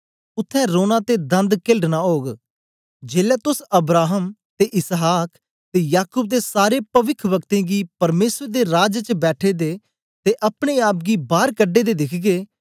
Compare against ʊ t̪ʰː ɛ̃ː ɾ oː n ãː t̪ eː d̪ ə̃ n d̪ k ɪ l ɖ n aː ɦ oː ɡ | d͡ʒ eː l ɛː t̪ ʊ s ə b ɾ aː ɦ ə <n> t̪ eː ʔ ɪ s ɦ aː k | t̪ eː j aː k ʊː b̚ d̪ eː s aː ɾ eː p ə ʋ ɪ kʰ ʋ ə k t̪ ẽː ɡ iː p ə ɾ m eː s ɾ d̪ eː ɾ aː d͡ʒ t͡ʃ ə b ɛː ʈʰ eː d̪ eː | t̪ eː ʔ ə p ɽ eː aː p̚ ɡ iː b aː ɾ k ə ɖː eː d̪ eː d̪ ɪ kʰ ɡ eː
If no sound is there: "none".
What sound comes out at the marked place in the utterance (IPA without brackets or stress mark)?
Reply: m